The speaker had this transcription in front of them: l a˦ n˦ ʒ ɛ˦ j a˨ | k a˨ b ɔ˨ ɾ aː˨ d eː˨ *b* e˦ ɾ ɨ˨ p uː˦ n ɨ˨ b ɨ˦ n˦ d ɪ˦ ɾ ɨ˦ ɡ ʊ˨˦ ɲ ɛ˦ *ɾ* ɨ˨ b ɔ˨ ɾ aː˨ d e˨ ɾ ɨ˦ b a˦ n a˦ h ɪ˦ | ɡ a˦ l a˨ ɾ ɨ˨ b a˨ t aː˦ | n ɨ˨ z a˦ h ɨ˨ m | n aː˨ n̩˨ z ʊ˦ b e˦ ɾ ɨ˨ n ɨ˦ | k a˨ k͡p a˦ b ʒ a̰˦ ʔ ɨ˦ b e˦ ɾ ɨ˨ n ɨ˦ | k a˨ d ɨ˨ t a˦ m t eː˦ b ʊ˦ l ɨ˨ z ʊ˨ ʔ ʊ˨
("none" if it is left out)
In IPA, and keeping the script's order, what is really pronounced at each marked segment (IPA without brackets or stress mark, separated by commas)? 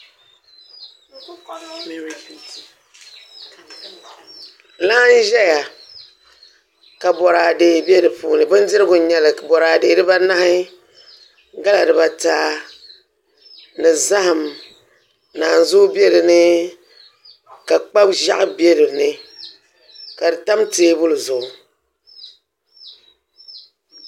b, l